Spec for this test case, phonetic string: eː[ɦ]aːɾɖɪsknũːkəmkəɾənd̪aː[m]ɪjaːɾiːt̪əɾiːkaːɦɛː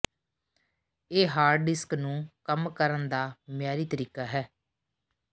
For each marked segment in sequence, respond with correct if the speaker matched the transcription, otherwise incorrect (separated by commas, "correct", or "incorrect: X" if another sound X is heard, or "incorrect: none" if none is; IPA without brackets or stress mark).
correct, correct